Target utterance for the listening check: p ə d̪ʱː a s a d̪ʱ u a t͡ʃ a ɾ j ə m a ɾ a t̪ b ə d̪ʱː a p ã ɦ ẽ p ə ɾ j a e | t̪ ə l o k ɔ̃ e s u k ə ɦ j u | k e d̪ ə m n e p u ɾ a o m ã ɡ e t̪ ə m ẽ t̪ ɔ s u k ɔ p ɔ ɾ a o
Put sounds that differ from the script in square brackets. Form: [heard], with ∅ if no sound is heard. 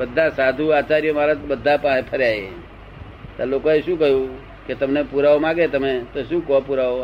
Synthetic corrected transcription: [b] ə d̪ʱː a s a d̪ʱ u a t͡ʃ a ɾ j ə m a ɾ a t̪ b ə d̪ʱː a p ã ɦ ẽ [pʰ] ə ɾ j a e | t̪ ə l o k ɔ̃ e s u k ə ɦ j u | k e [t̪] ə m n e p u ɾ a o m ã ɡ e t̪ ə m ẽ t̪ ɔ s u k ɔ p [u] ɾ a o